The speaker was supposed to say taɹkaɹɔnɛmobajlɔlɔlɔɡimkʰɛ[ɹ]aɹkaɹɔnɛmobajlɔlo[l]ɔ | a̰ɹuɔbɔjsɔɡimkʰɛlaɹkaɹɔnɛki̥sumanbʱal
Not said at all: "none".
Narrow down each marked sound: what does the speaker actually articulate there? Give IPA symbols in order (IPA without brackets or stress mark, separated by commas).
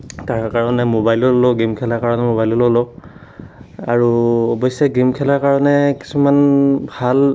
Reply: l, l